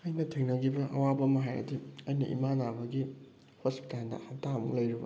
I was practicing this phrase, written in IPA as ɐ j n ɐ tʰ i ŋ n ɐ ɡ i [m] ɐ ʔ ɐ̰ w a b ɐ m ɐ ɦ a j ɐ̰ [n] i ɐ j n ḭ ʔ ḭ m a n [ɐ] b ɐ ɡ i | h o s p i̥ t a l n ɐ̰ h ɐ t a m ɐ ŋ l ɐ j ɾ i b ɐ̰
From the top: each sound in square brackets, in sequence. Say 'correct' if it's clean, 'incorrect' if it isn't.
incorrect, incorrect, incorrect

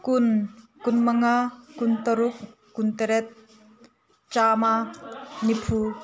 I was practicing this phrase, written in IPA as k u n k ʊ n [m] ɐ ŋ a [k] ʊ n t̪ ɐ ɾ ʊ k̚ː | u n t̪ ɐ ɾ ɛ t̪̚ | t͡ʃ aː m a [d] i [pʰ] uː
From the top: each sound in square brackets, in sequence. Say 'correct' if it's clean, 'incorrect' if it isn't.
correct, correct, incorrect, correct

